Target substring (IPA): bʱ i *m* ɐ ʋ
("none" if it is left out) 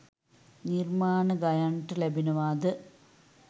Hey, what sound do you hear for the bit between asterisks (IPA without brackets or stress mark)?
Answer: n